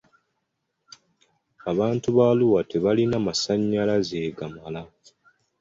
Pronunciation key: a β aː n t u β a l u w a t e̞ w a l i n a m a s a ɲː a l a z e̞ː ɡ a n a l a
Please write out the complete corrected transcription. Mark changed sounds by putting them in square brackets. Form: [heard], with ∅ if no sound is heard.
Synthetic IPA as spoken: a β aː n t u β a l u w a t e̞ [β] a l i n a m a s a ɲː a l a z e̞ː ɡ a [m] a l a